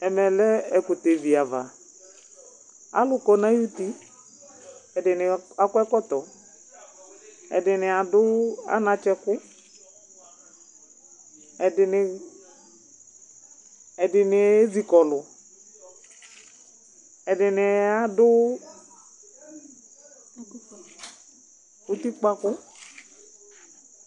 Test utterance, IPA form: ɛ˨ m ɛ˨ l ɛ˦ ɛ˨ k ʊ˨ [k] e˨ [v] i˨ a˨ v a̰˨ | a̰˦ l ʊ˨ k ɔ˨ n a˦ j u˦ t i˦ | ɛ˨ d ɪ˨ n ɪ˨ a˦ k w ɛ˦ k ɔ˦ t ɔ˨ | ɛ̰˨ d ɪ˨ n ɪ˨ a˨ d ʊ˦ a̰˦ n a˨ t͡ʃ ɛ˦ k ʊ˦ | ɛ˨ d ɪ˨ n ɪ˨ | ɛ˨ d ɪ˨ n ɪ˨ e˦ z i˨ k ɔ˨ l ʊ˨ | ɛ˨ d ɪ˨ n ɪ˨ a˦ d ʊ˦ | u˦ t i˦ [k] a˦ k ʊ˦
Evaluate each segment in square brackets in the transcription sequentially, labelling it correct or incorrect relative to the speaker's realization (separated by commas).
incorrect, correct, incorrect